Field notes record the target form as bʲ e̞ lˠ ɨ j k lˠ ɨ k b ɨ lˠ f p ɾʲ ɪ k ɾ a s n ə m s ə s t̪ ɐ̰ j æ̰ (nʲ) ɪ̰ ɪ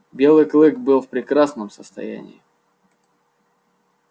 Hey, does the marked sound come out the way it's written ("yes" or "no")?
yes